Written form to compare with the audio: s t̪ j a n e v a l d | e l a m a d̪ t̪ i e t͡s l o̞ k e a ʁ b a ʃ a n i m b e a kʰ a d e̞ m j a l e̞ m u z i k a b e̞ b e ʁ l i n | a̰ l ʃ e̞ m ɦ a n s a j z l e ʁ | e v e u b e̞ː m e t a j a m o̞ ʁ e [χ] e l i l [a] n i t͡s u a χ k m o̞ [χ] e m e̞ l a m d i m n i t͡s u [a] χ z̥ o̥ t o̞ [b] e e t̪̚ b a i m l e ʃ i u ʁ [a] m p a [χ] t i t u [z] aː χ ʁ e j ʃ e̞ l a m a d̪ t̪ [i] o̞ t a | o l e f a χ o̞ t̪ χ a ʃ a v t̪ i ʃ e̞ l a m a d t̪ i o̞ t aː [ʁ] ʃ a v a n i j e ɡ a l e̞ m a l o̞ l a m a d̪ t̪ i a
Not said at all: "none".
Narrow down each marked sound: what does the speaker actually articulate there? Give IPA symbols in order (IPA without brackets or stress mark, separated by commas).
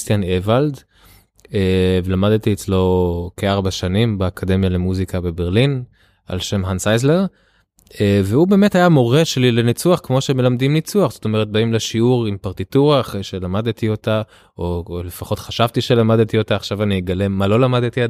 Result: ʃ, e, ʃ, a, m, i, ʁ, ʁ, i, χ